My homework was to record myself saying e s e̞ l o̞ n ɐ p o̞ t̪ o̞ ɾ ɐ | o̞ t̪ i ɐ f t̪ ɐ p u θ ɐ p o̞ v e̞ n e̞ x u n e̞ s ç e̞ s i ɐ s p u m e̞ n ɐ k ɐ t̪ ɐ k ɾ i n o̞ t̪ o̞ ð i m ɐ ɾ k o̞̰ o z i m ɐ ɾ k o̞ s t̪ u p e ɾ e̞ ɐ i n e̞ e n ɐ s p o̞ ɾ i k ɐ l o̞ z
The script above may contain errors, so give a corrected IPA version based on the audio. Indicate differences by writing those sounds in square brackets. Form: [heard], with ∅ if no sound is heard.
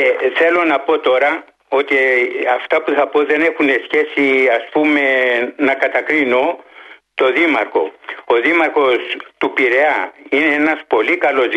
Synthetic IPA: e [θ] e̞ l o̞ n ɐ p o̞ t̪ o̞ ɾ ɐ | o̞ t̪ i ɐ f t̪ ɐ p u θ ɐ p o̞ [ð] e̞ n e̞ x u n e̞ s ç e̞ s i ɐ s p u m e̞ n ɐ k ɐ t̪ ɐ k ɾ i n o̞ t̪ o̞ ð i m ɐ ɾ k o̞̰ o [ð] i m ɐ ɾ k o̞ s t̪ u p [i] ɾ e̞ ɐ i n e̞ e n ɐ s p o̞ [l] i k ɐ l o̞ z